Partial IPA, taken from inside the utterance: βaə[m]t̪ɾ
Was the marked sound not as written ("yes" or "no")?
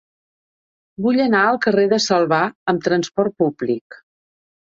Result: no